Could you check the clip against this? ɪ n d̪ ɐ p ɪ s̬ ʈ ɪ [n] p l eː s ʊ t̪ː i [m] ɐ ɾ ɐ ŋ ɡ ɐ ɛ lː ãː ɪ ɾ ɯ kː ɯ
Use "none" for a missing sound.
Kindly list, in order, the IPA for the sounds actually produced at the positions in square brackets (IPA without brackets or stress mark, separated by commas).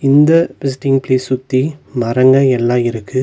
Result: ŋ, m